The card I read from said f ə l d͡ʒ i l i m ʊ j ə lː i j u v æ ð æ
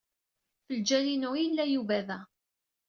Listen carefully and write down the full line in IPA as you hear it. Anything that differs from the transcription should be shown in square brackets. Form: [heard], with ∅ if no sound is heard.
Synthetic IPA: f ə l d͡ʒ [æ] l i [n] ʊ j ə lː [æ] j u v æ ð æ